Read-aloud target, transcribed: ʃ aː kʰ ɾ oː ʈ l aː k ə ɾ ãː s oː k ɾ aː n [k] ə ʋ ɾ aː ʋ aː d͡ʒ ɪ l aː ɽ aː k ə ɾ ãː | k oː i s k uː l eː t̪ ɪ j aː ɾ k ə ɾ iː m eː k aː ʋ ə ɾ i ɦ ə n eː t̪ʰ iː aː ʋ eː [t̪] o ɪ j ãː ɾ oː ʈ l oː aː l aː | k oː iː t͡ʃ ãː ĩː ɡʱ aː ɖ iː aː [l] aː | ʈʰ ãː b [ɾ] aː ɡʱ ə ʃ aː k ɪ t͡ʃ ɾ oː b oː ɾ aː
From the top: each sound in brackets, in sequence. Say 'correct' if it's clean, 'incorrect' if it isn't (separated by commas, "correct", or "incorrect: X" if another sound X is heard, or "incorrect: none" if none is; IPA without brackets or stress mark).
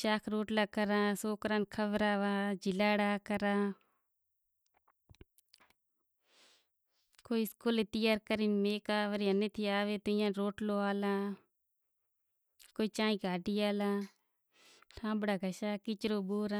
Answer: incorrect: kʰ, correct, correct, incorrect: ɽ